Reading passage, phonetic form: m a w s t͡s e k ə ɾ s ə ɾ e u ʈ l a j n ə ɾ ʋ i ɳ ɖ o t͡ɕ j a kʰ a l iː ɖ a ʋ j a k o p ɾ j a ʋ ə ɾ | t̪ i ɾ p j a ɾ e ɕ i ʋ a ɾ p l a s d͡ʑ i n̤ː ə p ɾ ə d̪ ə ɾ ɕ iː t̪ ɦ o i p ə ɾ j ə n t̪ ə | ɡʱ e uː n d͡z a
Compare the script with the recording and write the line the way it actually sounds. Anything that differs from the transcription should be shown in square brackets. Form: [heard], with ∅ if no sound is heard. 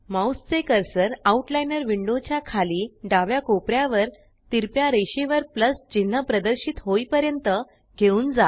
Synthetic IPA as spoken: m a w s t͡s e k ə ɾ s ə ɾ [a] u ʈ l a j n ə ɾ ʋ i ɳ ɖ o t͡ɕ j a kʰ a l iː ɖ a ʋ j a k o p ɾ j a ʋ ə ɾ | t̪ i ɾ p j a ɾ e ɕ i ʋ [ə] ɾ p l [ə] s d͡ʑ i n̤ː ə p ɾ ə d̪ ə ɾ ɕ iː t̪ ɦ o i p ə ɾ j ə n t̪ ə | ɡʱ e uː n d͡z a